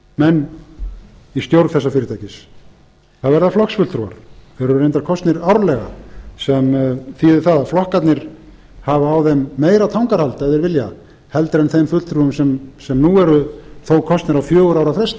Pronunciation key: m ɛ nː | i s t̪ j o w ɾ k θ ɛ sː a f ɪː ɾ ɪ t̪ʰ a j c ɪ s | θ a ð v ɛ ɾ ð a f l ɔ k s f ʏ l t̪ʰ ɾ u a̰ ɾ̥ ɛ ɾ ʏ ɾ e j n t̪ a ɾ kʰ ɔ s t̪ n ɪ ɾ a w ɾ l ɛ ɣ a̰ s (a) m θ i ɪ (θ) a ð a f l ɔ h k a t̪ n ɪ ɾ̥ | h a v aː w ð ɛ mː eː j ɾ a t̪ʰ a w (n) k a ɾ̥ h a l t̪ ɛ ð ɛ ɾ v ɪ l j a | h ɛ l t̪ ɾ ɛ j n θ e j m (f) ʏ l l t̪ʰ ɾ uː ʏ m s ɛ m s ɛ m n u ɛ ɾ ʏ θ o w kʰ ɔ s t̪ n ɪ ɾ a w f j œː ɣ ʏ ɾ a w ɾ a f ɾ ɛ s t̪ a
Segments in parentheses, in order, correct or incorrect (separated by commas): incorrect, correct, incorrect, correct